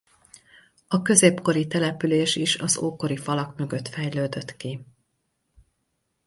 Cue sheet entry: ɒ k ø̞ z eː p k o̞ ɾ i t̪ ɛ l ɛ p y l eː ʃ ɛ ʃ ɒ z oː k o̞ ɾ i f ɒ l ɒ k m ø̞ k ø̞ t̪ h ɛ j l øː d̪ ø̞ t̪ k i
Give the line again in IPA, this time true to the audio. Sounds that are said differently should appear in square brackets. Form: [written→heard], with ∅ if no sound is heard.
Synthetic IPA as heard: ɒ k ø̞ z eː p k o̞ ɾ i t̪ ɛ l ɛ p y l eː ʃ [ɛ→i] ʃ ɒ z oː k o̞ ɾ i f ɒ l ɒ k m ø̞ [k→ɡ] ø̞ t̪ [h→f] ɛ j l øː d̪ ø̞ t̪ k i